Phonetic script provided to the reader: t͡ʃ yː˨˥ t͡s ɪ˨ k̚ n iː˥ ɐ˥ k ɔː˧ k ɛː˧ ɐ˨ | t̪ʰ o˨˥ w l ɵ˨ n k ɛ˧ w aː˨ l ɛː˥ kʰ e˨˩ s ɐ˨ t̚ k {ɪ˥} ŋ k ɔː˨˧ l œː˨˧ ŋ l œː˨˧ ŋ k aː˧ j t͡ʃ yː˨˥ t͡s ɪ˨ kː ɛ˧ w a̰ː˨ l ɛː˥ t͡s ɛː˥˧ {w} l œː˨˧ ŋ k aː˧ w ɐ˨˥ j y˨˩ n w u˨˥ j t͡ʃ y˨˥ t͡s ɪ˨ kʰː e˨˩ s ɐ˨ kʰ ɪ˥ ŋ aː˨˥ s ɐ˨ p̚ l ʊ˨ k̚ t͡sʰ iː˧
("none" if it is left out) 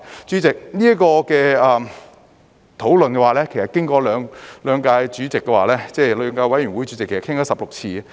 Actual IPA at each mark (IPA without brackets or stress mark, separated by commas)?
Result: ɪ˥, none